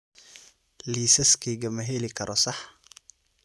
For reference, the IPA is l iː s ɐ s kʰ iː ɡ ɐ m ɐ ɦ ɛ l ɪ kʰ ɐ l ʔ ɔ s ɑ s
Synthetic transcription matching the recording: l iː s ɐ s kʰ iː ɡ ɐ m ɐ ɦ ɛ l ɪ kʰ ɐ ɾ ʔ ɔ s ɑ ħ